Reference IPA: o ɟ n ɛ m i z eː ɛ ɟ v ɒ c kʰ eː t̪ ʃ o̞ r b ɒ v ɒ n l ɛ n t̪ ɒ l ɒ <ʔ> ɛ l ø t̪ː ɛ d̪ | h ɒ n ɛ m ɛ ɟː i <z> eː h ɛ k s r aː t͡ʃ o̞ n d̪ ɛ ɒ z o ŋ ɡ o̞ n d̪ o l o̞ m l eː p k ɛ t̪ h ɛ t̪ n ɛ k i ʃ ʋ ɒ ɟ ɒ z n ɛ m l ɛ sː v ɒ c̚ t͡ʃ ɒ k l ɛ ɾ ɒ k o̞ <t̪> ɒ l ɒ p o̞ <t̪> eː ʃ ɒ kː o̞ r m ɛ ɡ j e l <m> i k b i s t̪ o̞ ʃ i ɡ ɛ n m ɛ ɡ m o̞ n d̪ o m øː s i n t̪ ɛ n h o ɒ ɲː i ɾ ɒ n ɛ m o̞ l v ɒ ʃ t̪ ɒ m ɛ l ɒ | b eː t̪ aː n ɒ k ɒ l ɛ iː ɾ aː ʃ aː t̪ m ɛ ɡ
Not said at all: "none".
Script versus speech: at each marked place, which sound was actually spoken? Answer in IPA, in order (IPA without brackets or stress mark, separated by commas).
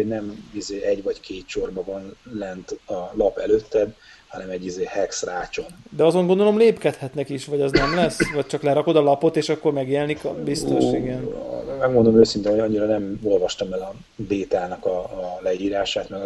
p, z, d̪, t̪, n